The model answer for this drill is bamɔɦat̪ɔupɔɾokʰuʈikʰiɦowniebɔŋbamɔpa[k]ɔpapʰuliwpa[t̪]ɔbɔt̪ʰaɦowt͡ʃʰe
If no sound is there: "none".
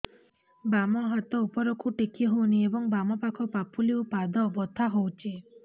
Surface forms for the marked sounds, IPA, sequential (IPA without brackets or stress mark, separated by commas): kʰ, d̪